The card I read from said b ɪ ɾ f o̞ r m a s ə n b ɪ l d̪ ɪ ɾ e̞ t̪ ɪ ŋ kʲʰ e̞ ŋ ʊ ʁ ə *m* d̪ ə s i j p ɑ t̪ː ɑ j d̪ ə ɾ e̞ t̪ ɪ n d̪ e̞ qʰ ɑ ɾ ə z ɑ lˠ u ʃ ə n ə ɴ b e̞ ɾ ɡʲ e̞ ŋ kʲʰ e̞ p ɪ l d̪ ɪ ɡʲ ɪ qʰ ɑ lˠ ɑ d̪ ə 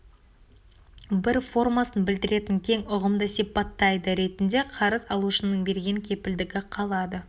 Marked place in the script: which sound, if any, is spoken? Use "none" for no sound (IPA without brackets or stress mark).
m